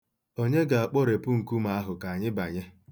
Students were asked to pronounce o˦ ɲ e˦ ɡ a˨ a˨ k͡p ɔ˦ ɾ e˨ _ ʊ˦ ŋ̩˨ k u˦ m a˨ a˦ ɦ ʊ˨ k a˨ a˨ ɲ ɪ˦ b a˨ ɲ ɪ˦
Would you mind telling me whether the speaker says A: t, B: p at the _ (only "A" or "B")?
B